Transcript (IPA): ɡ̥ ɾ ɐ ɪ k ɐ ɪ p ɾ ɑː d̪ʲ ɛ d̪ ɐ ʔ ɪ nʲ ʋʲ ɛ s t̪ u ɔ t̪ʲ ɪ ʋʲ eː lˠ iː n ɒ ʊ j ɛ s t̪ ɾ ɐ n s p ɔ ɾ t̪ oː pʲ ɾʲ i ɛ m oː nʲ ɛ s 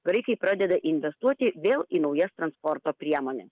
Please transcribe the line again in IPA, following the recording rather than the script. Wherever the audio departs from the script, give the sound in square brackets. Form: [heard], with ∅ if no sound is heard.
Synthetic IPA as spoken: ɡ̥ ɾ ɐ ɪ k ɐ ɪ p ɾ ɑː d̪ʲ ɛ d̪ ɐ ʔ ɪ nʲ ʋʲ ɛ s t̪ u ɔ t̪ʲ ɪ ʋʲ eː lˠ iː n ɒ ʊ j ɛ s t̪ ɾ ɐ n s p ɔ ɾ t̪ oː pʲ ɾʲ i ɛ m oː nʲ ɛ s